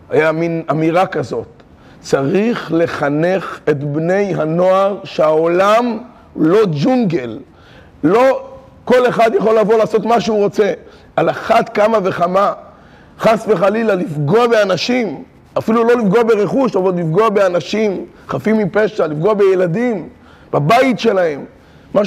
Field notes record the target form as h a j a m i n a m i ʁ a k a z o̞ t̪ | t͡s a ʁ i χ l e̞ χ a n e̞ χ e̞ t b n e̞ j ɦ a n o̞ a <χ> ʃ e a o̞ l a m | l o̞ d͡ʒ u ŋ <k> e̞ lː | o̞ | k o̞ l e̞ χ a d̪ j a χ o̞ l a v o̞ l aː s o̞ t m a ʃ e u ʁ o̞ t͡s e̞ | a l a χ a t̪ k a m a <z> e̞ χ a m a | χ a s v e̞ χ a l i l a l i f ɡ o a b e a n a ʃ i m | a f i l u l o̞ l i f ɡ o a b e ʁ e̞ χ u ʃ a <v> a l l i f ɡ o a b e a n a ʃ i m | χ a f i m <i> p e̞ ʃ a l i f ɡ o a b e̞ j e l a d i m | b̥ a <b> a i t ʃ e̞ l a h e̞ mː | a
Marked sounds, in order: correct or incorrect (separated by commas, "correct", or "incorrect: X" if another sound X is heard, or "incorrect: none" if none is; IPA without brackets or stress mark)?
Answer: incorrect: ʁ, incorrect: ɡ, incorrect: v, correct, correct, correct